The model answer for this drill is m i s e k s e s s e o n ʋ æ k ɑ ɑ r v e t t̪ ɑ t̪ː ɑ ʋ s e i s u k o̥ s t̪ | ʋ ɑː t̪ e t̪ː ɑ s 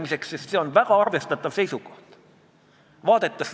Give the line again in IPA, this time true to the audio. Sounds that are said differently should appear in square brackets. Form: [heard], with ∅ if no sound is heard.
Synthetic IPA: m i s e k s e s s e o n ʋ æ k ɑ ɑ r [ʋ] e [s] t̪ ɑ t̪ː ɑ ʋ s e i s u k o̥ [h] t̪ | ʋ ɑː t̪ e t̪ː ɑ s